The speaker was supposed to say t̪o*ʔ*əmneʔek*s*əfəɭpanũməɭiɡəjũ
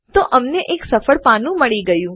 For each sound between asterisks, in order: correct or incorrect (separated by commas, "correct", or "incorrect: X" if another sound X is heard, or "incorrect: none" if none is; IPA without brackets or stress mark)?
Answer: correct, correct